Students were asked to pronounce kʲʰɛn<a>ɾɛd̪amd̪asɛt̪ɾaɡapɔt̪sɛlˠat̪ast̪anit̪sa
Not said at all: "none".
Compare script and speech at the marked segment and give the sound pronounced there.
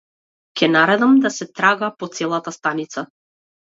a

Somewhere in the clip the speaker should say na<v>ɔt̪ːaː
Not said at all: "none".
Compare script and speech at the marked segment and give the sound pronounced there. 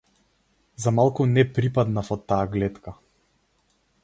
f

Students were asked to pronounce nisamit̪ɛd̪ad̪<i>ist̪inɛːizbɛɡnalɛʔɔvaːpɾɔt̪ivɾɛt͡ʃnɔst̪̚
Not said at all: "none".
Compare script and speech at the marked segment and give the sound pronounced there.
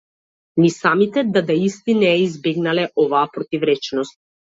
a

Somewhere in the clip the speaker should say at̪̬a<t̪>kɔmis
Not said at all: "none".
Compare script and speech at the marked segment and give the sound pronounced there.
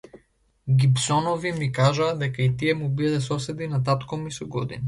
t̪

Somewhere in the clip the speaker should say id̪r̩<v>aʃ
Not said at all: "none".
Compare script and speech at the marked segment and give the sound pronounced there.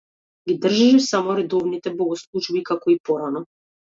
ʒ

